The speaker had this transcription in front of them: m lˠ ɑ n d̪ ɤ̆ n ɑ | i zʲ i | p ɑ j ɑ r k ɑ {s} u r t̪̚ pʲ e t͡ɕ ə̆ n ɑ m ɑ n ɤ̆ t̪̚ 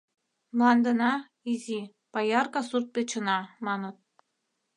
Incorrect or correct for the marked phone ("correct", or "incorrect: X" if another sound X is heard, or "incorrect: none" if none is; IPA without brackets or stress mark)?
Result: correct